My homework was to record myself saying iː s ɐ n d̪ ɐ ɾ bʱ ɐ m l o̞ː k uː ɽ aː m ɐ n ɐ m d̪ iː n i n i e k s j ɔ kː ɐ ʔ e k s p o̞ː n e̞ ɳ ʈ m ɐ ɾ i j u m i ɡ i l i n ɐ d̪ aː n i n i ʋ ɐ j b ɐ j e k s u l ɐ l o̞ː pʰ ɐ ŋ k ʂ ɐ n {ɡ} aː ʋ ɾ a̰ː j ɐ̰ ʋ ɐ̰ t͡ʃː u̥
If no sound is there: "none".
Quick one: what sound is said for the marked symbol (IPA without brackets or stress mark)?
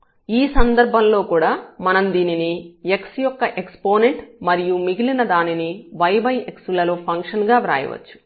ɡ